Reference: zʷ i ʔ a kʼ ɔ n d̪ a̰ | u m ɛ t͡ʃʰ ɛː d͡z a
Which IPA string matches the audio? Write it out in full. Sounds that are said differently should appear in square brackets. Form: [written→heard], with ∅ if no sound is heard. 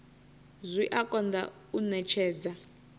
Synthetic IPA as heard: zʷ i ʔ a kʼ ɔ n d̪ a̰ | u [m→n] ɛ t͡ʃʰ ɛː d͡z a